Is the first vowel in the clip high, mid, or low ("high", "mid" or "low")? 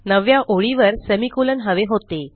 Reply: mid